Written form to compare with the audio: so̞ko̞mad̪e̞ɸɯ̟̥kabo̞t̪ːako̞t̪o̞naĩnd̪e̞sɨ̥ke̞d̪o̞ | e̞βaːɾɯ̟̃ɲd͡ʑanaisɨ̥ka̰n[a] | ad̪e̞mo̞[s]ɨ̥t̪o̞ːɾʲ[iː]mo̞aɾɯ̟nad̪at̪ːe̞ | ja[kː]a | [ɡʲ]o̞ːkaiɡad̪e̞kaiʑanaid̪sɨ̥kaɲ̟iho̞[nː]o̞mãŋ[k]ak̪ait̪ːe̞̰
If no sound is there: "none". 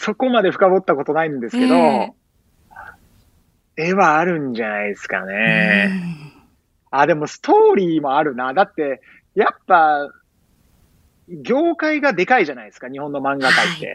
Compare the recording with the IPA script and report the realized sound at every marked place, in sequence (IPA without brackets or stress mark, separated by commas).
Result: e, s, iː, pː, ɡʲ, nː, ɡ